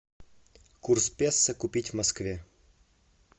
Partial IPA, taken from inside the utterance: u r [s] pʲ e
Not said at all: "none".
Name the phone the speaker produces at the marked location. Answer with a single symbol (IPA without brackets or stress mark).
s